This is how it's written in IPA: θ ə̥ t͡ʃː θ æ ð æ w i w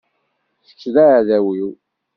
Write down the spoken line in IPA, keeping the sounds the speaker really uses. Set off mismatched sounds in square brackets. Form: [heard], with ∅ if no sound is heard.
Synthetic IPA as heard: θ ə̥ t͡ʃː [ð] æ ð æ w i w